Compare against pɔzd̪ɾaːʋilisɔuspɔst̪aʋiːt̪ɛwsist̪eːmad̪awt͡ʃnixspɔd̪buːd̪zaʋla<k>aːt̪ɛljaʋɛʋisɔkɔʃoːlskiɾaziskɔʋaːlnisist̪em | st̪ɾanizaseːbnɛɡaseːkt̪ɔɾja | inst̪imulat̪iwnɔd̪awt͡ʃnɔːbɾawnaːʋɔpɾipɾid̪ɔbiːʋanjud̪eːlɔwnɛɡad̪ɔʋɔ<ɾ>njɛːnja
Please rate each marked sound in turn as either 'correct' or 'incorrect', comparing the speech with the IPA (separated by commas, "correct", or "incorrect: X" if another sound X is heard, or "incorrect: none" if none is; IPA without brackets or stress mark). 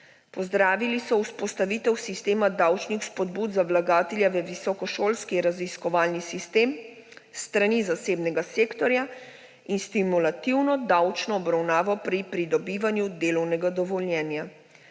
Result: incorrect: ɡ, incorrect: l